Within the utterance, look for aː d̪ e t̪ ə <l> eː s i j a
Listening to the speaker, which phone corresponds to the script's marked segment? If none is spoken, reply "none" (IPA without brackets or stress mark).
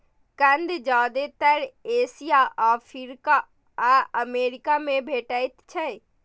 ɾ